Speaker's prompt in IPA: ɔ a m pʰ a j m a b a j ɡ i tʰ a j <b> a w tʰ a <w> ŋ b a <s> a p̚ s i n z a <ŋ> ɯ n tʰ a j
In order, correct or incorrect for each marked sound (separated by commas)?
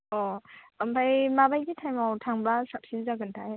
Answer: incorrect, incorrect, correct, incorrect